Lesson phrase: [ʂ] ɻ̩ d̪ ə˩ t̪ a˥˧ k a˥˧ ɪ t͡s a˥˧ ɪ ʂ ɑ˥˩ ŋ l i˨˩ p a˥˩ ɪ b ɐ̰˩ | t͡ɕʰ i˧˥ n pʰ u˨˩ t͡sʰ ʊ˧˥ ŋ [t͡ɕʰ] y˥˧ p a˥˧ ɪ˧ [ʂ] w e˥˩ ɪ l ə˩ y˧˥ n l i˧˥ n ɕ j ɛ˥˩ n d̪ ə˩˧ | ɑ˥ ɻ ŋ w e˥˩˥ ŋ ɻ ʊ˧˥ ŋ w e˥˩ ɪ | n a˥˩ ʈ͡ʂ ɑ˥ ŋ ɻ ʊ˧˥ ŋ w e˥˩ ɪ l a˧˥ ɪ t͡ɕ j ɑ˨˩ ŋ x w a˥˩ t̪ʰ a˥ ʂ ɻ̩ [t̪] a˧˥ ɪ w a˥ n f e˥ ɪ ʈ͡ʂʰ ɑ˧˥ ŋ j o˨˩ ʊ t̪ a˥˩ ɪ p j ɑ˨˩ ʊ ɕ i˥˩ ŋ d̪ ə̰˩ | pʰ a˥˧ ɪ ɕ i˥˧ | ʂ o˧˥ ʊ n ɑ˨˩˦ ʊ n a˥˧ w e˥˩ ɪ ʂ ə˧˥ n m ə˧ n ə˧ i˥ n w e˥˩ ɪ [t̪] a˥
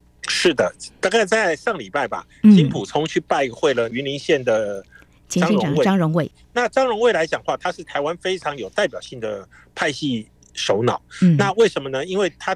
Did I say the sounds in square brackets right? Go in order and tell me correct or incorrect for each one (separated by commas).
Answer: correct, correct, incorrect, incorrect, incorrect